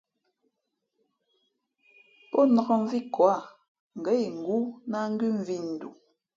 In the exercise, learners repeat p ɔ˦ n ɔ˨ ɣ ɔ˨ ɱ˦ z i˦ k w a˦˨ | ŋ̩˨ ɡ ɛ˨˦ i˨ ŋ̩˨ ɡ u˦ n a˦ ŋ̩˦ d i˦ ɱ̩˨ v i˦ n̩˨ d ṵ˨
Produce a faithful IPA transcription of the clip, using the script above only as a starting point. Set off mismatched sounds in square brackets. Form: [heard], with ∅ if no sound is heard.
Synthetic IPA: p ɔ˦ n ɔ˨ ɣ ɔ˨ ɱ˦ [v] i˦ k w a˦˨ | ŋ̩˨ ɡ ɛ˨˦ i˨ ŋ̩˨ ɡ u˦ n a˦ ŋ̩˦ [ɡ] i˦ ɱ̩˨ v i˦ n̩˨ d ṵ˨